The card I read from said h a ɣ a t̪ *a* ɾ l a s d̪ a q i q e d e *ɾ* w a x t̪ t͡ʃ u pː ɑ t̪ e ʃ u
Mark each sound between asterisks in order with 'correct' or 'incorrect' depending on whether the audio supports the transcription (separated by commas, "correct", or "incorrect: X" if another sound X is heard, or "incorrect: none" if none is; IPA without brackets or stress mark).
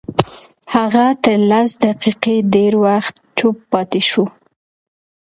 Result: incorrect: ə, correct